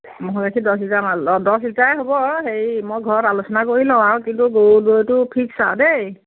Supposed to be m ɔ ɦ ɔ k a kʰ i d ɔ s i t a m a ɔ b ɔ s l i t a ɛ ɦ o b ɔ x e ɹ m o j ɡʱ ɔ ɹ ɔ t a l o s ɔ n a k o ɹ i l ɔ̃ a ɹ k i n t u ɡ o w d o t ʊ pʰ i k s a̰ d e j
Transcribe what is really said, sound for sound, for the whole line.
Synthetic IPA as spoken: m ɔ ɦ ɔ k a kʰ i d ɔ s i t a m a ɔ d ɔ s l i t a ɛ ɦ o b ɔ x e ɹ m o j ɡʱ ɔ ɹ ɔ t a l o s ɔ n a k o ɹ i l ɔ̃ a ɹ k i n t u ɡ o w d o t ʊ pʰ i k s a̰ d e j

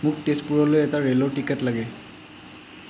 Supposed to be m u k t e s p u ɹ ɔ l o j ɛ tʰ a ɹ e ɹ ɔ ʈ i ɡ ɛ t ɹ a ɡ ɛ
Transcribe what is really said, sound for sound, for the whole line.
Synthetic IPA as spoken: m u k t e s p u ɹ ɔ l o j ɛ t a ɹ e l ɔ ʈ i k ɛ t l a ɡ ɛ

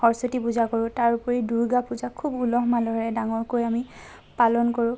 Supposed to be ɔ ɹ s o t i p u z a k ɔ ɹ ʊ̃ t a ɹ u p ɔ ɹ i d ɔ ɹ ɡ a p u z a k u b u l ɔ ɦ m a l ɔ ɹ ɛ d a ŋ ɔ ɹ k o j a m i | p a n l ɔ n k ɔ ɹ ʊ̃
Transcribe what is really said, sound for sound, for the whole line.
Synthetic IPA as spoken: ɔ ɹ s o t i p u z a k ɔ ɹ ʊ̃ t a ɹ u p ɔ ɹ i d u ɹ ɡ a p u z a kʰ u b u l ɔ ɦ m a l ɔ ɹ ɛ d a ŋ ɔ ɹ k o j a m i | p a l ɔ n k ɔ ɹ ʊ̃

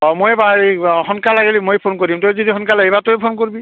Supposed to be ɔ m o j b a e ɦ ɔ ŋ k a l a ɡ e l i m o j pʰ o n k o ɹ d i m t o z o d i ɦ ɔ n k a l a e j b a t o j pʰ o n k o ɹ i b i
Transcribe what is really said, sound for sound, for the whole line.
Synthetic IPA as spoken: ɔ m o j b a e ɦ ɔ n k a l a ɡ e l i m o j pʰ o n k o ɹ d i m t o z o d i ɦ ɔ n k a l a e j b a t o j pʰ o n k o ɹ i b i

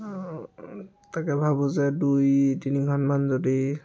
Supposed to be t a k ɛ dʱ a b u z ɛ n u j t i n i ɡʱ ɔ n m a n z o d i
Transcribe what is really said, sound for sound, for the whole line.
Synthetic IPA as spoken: t a k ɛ bʱ a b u z ɛ d u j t i n i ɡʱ ɔ n m a n z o d i

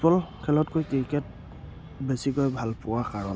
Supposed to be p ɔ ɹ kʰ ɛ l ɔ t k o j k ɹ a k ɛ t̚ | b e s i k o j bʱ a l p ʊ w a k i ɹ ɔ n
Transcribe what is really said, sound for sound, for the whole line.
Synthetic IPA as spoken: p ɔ l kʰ ɛ l ɔ t k o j k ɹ i k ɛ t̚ | b e s i k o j bʱ a l p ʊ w a k a ɹ ɔ n

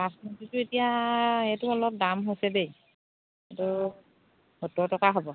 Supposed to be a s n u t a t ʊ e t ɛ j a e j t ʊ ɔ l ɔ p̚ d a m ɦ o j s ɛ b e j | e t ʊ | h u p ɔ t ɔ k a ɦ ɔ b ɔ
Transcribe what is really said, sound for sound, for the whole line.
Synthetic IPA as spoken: a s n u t i t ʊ e t i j a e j t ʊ ɔ l ɔ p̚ d a m ɦ o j s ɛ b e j | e t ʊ | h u t ɔ t ɔ k a ɦ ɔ b ɔ

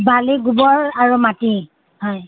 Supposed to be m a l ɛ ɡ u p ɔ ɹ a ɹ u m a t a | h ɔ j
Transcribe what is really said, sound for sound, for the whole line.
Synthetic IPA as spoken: b a l i ɡ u b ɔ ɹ a ɹ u m a t i | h ɔ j

